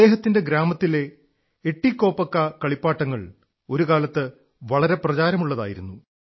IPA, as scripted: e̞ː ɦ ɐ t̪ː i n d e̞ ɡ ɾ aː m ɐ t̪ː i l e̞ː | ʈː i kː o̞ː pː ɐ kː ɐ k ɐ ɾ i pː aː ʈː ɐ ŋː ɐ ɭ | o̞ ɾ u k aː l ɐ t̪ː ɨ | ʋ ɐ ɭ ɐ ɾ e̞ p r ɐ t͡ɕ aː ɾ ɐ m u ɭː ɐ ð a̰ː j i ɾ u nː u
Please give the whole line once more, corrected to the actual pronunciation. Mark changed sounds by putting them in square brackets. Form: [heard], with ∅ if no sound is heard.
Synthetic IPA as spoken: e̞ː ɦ ɐ t̪ː i n d e̞ ɡ ɾ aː m ɐ t̪ː i l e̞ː | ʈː i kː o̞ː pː ɐ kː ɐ k ɐ [ɭ] i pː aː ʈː ɐ ŋː ɐ ɭ | o̞ ɾ u k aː l ɐ t̪ː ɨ | ʋ ɐ ɭ ɐ ɾ e̞ p r ɐ t͡ɕ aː ɾ ɐ m u ɭː ɐ ð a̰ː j i ɾ u nː u